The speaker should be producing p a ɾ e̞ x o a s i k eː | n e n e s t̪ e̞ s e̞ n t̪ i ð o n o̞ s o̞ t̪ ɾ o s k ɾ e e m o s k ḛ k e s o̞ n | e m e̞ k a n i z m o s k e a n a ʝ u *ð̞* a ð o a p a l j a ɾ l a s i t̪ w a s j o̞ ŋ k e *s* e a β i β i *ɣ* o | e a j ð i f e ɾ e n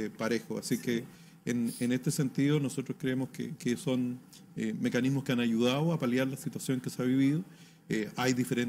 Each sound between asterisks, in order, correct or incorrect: correct, correct, incorrect

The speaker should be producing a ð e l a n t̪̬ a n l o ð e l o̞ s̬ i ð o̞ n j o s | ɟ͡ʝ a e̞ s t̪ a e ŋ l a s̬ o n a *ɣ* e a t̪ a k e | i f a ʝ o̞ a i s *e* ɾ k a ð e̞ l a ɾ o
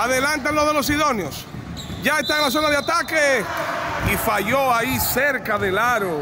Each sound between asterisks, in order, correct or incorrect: incorrect, correct

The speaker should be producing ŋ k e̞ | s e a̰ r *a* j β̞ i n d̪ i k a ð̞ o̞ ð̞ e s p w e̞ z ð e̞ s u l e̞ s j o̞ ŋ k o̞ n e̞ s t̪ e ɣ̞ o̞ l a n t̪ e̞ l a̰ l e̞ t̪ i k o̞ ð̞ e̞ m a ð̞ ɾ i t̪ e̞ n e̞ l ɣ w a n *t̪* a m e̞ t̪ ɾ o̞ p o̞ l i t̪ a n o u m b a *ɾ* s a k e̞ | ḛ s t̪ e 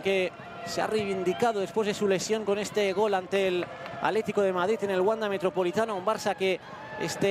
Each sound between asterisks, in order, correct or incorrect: incorrect, incorrect, correct

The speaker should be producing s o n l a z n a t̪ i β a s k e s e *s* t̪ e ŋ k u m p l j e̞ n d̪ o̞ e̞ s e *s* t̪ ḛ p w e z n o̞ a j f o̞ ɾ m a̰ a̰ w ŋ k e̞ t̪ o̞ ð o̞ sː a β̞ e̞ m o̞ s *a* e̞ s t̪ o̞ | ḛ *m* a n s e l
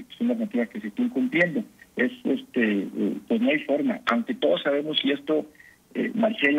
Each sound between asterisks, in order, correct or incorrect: correct, correct, incorrect, correct

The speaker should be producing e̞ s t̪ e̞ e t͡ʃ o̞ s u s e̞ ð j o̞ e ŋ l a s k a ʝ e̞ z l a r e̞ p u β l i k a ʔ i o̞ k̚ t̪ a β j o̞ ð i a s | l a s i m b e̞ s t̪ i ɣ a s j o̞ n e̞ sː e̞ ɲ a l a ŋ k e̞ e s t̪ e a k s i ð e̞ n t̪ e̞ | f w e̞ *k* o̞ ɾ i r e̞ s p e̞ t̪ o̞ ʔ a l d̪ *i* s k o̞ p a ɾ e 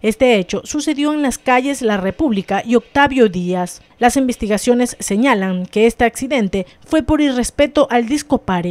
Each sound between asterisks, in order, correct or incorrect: incorrect, correct

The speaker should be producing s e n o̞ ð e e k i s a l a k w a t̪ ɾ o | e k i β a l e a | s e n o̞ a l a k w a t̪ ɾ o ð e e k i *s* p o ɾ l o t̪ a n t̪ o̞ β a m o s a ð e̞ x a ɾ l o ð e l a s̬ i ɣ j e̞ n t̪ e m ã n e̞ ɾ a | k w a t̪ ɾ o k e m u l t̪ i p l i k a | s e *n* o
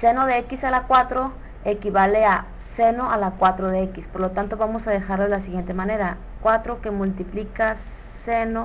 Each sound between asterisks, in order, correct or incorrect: correct, correct

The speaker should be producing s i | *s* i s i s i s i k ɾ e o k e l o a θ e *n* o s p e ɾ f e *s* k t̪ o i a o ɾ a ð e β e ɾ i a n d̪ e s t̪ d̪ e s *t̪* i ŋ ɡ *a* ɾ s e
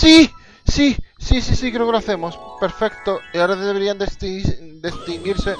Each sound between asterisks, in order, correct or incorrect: correct, incorrect, incorrect, correct, incorrect

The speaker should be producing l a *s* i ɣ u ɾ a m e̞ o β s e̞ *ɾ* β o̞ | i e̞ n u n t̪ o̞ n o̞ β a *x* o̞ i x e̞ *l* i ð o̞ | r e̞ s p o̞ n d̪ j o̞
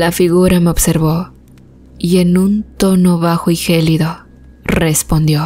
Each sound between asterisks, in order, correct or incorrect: incorrect, correct, correct, correct

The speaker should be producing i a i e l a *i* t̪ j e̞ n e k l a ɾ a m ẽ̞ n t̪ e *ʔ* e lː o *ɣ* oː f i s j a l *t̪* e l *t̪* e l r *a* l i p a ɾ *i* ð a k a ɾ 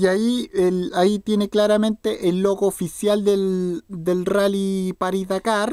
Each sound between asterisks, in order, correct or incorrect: correct, correct, correct, incorrect, incorrect, correct, correct

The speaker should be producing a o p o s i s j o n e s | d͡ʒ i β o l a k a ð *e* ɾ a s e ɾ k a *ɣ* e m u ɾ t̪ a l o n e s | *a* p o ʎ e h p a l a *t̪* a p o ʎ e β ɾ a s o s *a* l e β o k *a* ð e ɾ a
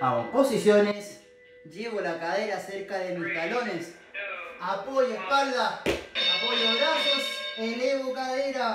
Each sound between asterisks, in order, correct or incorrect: correct, incorrect, correct, incorrect, incorrect, correct

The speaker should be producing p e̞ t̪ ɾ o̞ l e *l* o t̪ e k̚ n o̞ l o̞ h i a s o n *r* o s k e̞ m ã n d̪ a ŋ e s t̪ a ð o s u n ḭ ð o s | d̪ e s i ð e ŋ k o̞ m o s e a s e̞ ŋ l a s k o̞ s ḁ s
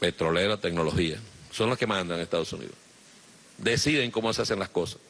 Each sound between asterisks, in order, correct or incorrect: incorrect, incorrect

